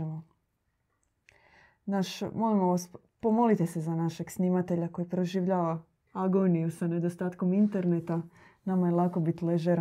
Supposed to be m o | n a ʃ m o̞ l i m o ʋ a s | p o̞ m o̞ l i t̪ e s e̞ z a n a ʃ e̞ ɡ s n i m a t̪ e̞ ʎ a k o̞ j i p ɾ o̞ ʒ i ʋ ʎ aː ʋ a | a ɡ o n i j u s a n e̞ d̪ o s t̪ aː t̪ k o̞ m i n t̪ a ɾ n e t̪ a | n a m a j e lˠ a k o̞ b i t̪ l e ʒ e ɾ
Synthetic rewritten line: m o | n a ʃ m o̞ l i m o ʋ a s | p o̞ m o̞ l i t̪ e s e̞ z a n a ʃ e̞ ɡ s n i m a t̪ e̞ ʎ a k o̞ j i p ɾ o̞ ʒ i ʋ ʎ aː ʋ a | a ɡ o n i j u s a n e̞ d̪ o s t̪ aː t̪ k o̞ m i n t̪ e ɾ n e t̪ a | n a m a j e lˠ a k o̞ b i t̪ l e ʒ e ɾ